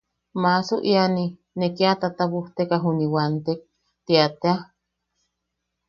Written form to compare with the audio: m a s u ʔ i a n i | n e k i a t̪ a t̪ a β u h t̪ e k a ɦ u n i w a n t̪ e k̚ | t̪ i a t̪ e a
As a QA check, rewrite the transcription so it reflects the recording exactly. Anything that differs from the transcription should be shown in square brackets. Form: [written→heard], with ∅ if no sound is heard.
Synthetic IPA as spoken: m a s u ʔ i a n i | n e k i a t̪ a t̪ a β u h t̪ e k a ɦ u n i w a n t̪ e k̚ | t̪ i a t̪ e a